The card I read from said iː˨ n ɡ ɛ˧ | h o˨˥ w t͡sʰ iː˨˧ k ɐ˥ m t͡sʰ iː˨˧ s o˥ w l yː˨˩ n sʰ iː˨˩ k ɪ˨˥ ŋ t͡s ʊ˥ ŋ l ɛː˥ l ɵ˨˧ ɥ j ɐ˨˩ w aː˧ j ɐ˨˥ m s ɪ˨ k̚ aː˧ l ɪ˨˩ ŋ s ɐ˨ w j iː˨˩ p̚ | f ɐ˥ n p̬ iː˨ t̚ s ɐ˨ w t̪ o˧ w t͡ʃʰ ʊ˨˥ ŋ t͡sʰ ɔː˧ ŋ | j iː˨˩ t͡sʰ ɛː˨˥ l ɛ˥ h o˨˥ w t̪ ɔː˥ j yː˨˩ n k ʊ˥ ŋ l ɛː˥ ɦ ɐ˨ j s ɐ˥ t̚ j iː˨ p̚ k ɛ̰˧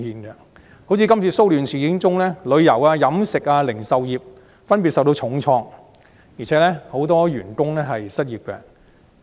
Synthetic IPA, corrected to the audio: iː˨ n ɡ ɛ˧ | h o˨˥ w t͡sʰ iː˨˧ k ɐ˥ m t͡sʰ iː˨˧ s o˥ w l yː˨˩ n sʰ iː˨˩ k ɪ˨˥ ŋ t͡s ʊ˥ ŋ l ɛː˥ l ɵ˨˧ ɥ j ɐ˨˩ w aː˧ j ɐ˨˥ m s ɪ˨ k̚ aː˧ l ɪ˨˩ ŋ s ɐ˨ w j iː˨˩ p̚ | f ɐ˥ n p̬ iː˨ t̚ s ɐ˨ w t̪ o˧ w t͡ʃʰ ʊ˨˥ ŋ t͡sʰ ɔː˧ ŋ | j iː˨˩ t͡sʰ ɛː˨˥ l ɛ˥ h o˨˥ w t̪ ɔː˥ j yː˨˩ n k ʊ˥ ŋ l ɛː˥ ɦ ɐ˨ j s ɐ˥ t̚ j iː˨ p̚ k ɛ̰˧